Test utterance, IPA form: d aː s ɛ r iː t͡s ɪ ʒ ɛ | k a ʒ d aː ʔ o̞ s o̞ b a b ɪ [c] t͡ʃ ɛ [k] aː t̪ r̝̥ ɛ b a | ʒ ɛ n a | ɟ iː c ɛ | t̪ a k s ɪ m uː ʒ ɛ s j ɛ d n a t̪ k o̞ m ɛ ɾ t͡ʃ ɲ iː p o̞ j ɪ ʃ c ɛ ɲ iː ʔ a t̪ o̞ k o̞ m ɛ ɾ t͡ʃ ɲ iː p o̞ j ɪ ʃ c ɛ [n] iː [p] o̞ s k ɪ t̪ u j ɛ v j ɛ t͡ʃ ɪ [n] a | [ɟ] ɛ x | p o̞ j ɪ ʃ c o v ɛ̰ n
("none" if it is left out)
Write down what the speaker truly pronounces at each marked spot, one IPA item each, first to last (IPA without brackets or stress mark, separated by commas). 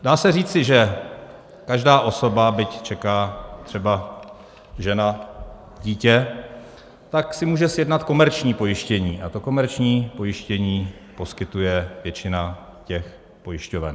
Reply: c, k, ɲ, p, n, c